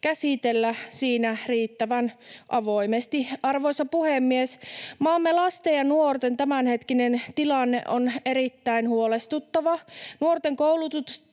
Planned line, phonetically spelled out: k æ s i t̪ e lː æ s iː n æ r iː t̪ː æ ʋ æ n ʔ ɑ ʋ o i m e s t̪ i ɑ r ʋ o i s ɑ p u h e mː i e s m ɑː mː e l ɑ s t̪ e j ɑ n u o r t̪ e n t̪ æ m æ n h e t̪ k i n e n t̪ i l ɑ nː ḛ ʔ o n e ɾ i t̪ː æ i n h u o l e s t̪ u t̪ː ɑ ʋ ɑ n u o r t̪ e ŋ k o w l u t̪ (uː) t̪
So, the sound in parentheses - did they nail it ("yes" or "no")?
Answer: no